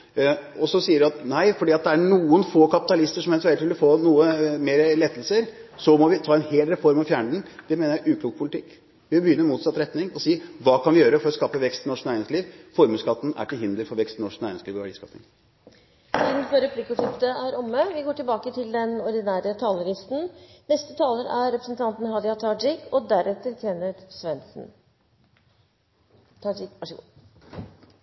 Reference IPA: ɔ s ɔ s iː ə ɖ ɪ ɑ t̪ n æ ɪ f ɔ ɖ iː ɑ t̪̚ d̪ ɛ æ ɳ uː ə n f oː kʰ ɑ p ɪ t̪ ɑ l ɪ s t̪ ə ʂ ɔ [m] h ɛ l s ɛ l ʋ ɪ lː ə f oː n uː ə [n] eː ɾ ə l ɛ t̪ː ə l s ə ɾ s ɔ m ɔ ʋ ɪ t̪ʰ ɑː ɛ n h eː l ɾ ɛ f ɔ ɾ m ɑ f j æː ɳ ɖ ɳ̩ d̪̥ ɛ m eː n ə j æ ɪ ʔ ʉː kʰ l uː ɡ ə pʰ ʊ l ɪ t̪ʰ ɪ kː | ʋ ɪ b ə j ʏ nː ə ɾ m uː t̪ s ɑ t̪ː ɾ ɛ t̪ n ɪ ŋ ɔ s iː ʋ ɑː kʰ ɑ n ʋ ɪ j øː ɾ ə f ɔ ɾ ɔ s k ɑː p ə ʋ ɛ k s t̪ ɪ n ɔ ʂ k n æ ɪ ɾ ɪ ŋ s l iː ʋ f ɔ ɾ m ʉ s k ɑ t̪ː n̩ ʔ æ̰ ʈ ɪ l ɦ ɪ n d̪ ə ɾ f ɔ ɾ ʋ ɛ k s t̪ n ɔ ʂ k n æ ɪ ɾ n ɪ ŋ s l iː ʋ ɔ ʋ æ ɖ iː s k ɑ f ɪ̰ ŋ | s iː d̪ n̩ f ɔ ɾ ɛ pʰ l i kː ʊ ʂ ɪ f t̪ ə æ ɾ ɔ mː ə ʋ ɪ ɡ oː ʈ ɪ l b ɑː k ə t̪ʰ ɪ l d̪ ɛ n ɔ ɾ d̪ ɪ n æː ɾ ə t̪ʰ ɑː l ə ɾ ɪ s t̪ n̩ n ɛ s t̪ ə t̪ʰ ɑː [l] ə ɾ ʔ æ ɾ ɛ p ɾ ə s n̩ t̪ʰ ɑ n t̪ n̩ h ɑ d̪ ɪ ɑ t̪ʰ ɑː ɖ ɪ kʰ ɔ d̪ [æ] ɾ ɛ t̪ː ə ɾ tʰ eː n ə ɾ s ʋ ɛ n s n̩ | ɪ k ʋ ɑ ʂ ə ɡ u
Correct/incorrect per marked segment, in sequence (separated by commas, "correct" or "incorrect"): correct, incorrect, correct, correct